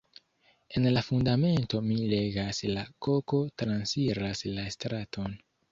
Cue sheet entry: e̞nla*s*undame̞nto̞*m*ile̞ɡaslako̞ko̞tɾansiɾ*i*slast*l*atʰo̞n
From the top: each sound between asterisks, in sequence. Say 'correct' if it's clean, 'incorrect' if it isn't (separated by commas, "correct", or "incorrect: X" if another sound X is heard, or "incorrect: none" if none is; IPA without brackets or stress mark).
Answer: incorrect: f, correct, incorrect: a, incorrect: ɾ